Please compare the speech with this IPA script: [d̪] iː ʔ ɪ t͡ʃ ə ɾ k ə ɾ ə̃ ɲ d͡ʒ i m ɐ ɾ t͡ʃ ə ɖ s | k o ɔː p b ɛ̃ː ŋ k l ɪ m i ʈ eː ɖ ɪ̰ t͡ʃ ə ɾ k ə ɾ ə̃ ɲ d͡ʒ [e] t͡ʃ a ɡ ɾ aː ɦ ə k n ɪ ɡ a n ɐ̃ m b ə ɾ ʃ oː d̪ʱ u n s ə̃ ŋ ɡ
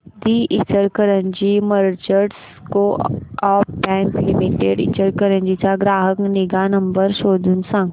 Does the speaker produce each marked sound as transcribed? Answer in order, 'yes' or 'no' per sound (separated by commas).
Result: yes, no